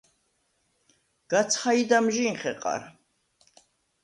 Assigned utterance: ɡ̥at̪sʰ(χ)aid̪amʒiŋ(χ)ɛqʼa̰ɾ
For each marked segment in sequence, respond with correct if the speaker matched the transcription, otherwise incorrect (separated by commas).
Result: correct, correct